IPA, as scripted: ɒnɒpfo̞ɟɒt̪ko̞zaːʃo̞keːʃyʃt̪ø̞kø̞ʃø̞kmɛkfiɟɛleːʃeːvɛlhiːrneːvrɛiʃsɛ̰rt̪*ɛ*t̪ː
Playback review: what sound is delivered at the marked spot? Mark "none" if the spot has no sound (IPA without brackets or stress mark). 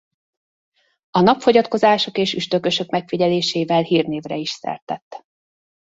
ɛ